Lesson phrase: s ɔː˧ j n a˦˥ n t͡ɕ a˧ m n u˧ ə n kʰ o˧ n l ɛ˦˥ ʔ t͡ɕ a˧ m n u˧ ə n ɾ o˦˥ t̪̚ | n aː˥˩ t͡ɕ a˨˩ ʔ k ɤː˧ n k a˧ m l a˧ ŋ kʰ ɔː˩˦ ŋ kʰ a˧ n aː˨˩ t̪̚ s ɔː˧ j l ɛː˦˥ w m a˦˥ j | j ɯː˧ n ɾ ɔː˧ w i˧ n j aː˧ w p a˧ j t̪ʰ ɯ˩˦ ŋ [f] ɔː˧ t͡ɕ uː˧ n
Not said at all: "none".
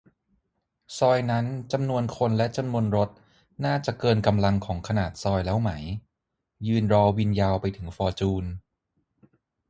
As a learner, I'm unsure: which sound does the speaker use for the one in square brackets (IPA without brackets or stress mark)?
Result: f